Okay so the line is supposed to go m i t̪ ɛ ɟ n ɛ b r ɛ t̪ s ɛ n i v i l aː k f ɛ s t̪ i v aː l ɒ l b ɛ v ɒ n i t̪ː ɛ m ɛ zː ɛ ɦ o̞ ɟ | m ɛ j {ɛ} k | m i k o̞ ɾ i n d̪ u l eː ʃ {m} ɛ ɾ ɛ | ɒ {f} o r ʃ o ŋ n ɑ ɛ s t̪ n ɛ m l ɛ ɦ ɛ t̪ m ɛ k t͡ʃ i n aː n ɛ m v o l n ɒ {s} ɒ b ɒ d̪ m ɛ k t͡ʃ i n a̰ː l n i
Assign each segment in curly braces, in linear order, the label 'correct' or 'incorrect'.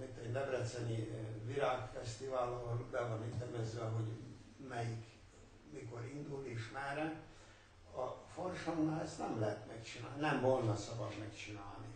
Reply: incorrect: i, correct, correct, correct

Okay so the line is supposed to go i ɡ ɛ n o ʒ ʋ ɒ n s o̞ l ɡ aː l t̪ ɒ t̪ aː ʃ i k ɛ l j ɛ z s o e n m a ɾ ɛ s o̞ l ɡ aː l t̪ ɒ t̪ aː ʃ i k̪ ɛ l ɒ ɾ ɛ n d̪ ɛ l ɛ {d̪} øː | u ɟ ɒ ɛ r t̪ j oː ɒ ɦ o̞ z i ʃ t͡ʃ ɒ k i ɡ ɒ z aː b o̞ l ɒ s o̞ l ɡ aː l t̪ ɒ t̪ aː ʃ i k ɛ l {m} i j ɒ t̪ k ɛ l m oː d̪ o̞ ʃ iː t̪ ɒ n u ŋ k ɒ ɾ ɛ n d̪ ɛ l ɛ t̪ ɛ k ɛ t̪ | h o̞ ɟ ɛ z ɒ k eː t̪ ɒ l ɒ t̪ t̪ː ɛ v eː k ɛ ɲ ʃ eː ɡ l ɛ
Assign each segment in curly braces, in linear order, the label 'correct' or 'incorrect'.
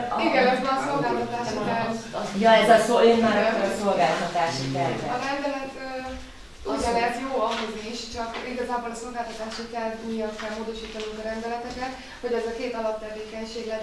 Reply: incorrect: t̪, correct

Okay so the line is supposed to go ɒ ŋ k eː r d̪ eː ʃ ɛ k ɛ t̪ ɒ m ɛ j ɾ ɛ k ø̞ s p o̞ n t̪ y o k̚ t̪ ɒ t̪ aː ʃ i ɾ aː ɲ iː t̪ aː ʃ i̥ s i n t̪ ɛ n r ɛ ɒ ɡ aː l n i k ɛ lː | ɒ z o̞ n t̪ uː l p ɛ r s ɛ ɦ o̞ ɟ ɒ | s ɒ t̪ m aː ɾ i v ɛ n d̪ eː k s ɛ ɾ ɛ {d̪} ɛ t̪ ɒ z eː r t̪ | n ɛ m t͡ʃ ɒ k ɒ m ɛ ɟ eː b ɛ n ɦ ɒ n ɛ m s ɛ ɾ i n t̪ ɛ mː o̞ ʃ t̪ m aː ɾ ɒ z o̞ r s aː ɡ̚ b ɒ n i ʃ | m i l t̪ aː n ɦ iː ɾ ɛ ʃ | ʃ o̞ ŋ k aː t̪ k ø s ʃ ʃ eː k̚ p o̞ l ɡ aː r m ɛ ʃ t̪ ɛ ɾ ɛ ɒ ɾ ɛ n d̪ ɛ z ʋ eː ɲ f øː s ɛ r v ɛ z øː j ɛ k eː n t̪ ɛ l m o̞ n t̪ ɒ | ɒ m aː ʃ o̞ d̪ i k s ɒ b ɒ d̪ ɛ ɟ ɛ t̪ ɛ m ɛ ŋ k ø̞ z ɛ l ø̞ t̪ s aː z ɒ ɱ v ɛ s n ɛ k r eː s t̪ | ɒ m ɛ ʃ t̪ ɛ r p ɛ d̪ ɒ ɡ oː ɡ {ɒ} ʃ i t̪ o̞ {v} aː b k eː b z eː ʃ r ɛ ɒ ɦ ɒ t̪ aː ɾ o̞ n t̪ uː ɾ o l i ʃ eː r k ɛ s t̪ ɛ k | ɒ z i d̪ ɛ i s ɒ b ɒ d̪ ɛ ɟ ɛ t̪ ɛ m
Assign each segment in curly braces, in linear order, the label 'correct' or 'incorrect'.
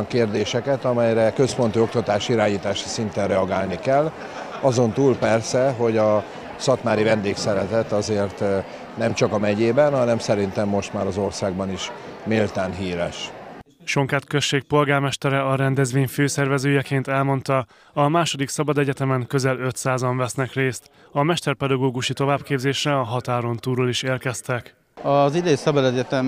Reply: incorrect: t̪, incorrect: u, correct

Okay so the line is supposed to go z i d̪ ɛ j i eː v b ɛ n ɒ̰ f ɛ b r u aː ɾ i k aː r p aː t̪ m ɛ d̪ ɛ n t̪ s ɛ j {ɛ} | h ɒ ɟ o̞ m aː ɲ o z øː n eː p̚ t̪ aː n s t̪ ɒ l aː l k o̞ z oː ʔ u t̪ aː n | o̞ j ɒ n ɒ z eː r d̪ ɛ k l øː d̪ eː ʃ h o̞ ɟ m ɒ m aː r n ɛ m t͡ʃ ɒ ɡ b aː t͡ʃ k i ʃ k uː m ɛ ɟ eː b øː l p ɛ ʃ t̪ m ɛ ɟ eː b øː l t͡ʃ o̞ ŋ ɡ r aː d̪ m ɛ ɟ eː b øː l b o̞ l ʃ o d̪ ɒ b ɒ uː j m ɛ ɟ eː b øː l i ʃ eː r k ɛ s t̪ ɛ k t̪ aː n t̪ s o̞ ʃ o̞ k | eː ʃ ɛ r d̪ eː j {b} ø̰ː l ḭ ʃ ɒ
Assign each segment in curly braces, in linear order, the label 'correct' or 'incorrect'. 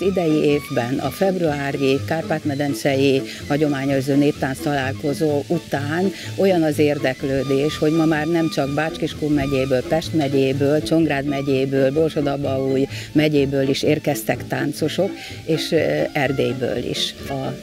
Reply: incorrect: i, correct

